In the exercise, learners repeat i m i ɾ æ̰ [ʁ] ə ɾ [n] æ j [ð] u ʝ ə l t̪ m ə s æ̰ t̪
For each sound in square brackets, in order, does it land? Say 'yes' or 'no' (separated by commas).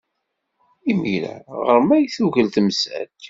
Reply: yes, no, no